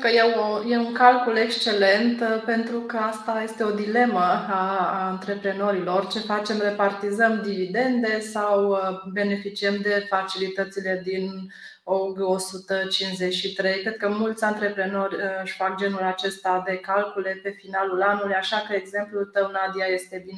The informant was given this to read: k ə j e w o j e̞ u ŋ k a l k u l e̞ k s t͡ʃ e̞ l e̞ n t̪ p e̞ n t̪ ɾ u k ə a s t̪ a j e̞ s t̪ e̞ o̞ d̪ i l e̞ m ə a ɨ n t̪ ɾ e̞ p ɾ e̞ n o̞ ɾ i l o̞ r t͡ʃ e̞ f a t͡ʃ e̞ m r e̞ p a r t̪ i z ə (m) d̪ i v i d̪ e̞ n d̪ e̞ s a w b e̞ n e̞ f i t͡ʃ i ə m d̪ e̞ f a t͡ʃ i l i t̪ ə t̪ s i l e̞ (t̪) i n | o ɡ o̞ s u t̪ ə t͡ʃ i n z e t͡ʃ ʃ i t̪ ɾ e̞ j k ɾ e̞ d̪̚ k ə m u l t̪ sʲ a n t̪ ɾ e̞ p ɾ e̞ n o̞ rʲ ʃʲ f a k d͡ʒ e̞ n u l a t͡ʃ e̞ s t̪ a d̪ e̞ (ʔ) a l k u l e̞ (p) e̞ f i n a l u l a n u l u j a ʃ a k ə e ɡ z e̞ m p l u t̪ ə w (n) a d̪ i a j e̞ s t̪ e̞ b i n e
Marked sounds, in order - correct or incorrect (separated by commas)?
correct, incorrect, incorrect, correct, correct